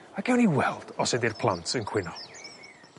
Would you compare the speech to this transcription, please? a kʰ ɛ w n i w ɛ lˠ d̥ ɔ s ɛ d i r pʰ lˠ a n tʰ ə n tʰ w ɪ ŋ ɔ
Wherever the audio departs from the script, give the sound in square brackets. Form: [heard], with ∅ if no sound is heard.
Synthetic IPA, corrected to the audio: a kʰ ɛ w n i w ɛ lˠ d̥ ɔ s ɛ d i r pʰ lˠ a n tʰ ə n [kʰ] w ɪ [n] ɔ